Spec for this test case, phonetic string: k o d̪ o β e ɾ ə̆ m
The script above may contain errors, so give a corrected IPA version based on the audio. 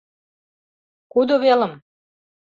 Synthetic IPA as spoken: k u d̪ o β e l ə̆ m